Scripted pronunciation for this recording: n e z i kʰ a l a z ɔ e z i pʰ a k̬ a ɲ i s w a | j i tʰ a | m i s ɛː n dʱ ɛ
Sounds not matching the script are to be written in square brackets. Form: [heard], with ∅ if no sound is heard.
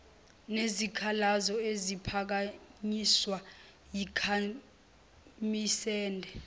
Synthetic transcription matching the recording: n e z i kʰ a l a z ɔ e z i pʰ a k̬ a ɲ i s w a | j i [kʰ] a | m i s ɛː n dʱ ɛ